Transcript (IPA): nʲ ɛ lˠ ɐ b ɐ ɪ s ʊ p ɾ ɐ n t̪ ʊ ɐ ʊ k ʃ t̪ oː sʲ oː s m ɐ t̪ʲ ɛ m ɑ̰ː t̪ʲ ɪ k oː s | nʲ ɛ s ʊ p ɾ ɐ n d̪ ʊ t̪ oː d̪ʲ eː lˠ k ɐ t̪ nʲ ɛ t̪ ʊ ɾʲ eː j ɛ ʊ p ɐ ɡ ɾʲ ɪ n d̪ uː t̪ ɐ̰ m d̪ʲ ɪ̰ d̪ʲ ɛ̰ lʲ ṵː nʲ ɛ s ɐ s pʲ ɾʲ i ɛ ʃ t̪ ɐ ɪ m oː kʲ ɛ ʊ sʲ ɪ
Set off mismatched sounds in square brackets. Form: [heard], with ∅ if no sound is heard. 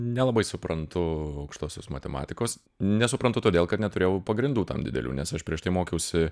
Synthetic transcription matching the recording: nʲ ɛ lˠ ɐ b ɐ ɪ s ʊ p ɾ ɐ n t̪ ʊ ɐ ʊ k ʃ t̪ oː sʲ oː s m ɐ t̪ʲ ɛ m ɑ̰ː t̪ʲ ɪ k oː s | nʲ ɛ s ʊ p ɾ ɐ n [t̪] ʊ t̪ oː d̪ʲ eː lˠ k ɐ t̪ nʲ ɛ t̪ ʊ ɾʲ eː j ɛ ʊ p ɐ ɡ ɾʲ ɪ n d̪ uː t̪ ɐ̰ m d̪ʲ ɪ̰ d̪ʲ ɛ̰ lʲ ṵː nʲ ɛ s ɐ [ʃ] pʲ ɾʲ i ɛ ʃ t̪ ɐ ɪ m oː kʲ ɛ ʊ sʲ ɪ